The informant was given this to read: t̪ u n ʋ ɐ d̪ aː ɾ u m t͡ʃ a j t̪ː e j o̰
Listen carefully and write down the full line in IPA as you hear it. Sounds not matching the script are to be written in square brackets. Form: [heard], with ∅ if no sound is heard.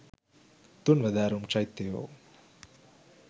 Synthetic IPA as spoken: t̪ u n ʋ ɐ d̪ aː ɾ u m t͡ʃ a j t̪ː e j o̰